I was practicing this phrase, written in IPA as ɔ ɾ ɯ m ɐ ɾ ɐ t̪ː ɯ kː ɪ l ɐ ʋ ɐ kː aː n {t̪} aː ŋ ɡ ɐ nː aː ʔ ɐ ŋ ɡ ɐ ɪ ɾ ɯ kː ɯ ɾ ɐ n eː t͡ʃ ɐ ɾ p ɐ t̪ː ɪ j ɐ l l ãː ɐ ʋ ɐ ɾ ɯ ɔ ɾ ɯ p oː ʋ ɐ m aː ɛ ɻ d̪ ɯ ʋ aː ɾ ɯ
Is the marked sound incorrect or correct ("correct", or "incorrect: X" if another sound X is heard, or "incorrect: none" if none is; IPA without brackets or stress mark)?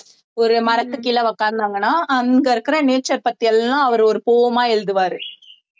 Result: incorrect: d̪